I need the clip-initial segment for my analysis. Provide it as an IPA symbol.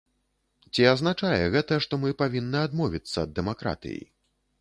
t͡sʲ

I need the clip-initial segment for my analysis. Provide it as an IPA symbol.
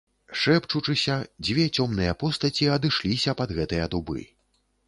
ʂ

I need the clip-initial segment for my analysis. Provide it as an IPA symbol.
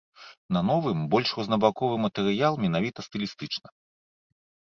n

